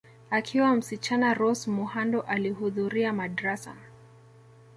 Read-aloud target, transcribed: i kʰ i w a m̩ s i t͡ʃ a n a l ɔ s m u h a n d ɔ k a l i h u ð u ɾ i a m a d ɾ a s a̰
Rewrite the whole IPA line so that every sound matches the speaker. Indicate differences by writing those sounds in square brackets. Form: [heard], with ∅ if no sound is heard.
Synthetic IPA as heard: [a] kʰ i w a m̩ s i t͡ʃ a n a [ɾ] ɔ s m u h a n d ɔ [ʔ] a l i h u ð u ɾ i a m a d ɾ a s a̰